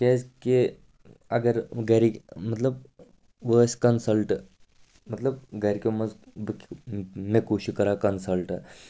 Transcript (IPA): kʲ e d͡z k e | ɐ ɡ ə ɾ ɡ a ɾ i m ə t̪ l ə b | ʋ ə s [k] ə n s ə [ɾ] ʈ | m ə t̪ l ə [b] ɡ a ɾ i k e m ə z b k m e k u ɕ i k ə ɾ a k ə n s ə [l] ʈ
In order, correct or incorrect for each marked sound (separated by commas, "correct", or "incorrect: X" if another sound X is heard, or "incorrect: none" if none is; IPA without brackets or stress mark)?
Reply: correct, incorrect: l, correct, correct